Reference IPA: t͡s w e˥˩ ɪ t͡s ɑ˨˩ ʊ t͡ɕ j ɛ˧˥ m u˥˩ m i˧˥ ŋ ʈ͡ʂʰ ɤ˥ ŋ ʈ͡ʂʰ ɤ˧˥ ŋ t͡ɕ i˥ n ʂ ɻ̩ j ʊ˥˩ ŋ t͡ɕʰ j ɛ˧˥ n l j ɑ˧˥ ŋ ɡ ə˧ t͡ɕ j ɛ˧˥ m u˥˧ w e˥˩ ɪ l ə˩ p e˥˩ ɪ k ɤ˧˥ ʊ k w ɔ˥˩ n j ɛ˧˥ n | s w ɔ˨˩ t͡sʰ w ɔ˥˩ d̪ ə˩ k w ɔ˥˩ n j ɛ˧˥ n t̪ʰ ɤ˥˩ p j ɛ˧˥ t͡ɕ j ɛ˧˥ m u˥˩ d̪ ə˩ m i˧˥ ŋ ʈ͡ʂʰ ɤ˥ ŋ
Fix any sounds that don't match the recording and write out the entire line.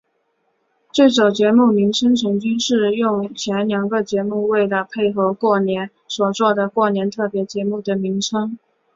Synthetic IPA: t͡s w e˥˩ ɪ t͡s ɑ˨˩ ʊ t͡ɕ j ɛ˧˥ m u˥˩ m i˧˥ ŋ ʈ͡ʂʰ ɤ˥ ŋ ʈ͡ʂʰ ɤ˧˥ ŋ t͡ɕ y˥ n ʂ ɻ̩ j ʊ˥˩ ŋ t͡ɕʰ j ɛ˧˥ n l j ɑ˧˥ ŋ ɡ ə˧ t͡ɕ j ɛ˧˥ m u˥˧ w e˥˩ ɪ l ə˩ pʰ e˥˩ ɪ x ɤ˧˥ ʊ k w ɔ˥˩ n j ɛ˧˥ n | s w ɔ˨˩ t͡s w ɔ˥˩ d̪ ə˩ k w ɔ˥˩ n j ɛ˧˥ n t̪ʰ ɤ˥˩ p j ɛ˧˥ t͡ɕ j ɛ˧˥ m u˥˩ d̪ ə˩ m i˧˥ ŋ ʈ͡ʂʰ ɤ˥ ŋ